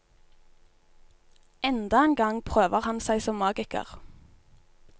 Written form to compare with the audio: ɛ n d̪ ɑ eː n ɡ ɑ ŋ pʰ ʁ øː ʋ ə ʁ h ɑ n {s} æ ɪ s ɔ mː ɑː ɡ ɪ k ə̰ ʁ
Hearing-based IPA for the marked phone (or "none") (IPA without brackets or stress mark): s